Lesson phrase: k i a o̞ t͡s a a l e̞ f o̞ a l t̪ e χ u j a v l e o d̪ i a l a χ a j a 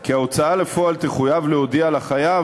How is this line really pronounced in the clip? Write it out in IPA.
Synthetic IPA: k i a o̞ t͡s a a l e̞ f o̞ a l t̪ e χ u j a v l e o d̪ i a l a χ a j a